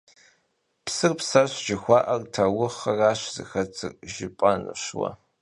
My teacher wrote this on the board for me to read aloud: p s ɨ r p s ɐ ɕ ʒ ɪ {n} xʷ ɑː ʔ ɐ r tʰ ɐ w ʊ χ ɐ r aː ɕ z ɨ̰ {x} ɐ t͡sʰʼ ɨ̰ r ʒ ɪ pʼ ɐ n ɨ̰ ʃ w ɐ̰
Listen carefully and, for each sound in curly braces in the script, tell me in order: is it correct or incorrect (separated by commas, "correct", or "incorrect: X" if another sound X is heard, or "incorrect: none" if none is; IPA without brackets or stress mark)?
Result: incorrect: none, correct